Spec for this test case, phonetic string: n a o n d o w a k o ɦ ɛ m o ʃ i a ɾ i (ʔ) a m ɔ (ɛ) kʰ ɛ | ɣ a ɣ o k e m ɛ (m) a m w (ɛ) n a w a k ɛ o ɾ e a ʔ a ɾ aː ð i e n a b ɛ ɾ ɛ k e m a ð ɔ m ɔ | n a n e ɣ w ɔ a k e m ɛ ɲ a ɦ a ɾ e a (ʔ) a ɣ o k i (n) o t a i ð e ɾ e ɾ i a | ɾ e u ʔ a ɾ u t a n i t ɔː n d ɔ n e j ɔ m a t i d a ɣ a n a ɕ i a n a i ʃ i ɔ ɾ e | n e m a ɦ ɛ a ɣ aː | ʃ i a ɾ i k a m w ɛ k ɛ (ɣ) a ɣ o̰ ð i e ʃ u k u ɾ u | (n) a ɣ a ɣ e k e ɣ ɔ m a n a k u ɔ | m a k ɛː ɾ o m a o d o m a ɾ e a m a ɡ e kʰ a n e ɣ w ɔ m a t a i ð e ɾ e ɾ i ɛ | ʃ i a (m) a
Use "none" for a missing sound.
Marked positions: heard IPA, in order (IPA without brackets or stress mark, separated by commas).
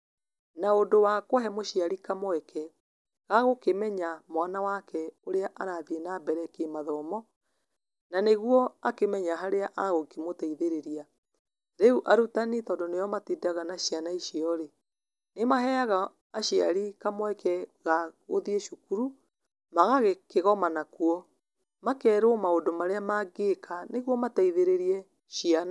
k, ɛ, ɲ, a, ʔ, m, ɣ, m, n